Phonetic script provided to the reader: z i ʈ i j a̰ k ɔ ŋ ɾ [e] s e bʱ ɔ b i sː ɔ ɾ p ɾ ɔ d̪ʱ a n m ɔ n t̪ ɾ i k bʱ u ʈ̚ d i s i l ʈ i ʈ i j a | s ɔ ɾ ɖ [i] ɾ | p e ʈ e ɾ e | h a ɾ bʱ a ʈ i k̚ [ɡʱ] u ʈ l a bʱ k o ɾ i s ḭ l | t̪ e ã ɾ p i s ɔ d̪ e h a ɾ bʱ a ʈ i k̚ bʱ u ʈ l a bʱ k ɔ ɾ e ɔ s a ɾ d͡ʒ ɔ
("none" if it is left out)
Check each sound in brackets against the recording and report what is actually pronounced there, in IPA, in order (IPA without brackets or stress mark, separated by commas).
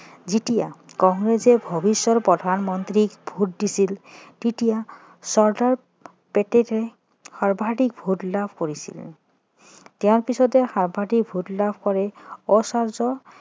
e, a, bʱ